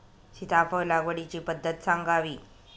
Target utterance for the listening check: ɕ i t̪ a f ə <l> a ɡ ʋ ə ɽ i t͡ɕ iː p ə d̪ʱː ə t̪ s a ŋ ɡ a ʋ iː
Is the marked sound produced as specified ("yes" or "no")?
yes